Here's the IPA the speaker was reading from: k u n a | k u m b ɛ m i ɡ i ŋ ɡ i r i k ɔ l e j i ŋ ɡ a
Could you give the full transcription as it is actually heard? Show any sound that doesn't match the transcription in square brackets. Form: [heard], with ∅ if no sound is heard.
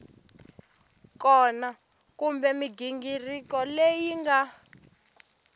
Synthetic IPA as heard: k [ɔ] n a | k u m b ɛ m i ɡ i ŋ ɡ i r i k ɔ l e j i ŋ ɡ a